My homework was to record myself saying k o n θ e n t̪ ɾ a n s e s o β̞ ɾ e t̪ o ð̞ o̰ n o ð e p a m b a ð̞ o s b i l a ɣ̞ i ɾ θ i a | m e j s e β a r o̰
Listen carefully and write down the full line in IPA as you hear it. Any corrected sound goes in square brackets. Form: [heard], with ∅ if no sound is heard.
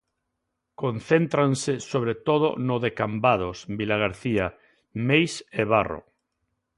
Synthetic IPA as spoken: k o n θ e n t̪ ɾ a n s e s o β̞ ɾ e t̪ o ð̞ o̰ n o ð e [k] a m b a ð̞ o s b i l a ɣ̞ [a] ɾ θ i a | m e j s e β a r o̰